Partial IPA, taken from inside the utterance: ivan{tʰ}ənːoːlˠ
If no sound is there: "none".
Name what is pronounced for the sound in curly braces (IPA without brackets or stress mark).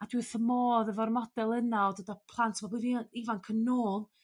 kʰ